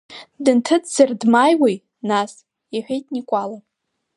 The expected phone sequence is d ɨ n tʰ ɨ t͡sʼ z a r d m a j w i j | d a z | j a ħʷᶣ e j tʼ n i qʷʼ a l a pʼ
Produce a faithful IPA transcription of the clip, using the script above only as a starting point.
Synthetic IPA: d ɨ n tʰ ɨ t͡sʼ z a r d m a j w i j | n a s | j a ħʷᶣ e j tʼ n i kʷʼ a l a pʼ